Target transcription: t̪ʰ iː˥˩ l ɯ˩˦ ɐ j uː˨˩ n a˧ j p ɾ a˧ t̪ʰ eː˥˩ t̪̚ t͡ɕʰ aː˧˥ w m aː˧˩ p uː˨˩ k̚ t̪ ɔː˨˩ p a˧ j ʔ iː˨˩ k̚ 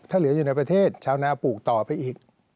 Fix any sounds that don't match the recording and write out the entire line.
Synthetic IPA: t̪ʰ aː˥˩ l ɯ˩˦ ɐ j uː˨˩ n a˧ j p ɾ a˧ t̪ʰ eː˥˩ t̪̚ t͡ɕʰ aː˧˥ w n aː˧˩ p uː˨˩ k̚ t̪ ɔː˨˩ p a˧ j ʔ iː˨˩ k̚